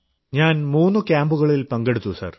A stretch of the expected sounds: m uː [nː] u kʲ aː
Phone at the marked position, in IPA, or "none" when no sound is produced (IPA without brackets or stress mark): nː